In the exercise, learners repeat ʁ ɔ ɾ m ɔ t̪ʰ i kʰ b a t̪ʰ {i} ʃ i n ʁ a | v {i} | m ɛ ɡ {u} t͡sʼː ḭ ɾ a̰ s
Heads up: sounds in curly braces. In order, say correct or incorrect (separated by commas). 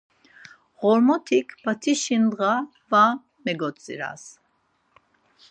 correct, incorrect, incorrect